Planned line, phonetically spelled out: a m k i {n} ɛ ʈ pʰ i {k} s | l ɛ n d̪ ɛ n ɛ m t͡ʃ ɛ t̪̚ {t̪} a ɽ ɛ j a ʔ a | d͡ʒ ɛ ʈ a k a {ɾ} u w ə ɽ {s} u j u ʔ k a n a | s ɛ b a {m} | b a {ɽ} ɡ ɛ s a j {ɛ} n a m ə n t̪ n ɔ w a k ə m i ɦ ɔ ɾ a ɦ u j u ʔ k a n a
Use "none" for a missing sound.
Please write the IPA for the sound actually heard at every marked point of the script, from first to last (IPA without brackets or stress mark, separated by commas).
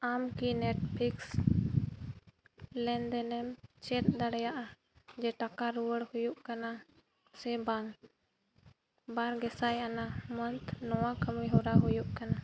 n, k, d̪, ɾ, h, ŋ, ɾ, a